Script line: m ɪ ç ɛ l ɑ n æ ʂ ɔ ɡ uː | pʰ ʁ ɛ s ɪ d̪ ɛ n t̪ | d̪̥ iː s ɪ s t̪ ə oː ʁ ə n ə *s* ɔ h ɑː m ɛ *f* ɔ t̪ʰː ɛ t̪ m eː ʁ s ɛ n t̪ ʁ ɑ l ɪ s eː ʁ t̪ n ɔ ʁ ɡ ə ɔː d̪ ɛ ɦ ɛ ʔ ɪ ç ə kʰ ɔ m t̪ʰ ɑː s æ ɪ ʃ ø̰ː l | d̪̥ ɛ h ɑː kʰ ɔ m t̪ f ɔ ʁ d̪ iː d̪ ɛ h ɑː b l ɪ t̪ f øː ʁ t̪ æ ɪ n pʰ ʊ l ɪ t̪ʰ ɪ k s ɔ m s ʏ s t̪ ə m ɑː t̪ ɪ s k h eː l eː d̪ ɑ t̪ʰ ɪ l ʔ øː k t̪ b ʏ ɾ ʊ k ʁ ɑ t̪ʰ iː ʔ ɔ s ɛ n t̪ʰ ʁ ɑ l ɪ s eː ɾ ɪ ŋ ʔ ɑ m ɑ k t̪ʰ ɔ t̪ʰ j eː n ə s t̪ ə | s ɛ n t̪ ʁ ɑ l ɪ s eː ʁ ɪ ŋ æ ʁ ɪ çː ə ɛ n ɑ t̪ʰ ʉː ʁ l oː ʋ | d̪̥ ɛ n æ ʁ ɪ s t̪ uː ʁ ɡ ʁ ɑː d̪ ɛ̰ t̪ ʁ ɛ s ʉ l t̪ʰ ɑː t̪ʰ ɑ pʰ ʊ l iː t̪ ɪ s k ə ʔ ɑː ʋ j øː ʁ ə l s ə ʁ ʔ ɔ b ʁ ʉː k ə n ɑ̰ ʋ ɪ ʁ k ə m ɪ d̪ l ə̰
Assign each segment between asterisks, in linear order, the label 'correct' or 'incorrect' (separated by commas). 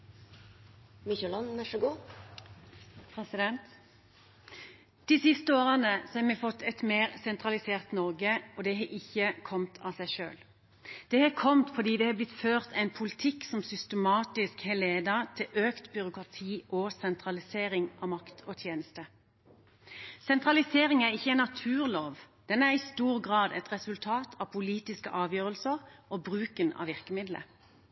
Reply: correct, correct